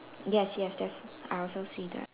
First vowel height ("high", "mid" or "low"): mid